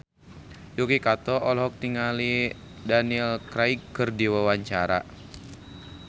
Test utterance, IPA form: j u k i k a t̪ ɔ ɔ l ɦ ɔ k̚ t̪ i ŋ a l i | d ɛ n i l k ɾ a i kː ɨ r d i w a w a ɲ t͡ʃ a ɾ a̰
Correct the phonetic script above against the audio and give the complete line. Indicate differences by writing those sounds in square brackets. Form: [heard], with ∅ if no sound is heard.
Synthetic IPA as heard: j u k i k a t̪ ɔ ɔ l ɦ ɔ k̚ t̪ i ŋ a l i | d [a] n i l k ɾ a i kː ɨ r d i w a w a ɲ t͡ʃ a ɾ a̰